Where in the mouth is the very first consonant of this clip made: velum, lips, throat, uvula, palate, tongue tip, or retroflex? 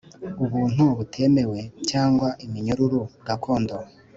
lips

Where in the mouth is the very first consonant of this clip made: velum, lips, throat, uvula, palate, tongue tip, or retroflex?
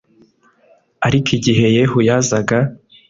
tongue tip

